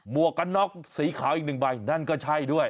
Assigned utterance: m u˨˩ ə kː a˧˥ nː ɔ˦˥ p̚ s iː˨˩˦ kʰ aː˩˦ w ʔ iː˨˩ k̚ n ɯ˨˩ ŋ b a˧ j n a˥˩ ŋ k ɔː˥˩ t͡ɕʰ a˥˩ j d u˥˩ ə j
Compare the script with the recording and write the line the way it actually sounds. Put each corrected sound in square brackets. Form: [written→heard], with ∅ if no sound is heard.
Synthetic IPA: m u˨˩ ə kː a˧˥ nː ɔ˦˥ [p̚→k̚] s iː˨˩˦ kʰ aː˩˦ w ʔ [iː˨˩→i˨˩] k̚ n ɯ˨˩ ŋ b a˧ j n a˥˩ [ŋ→n] k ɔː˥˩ t͡ɕʰ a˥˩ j d u˥˩ ə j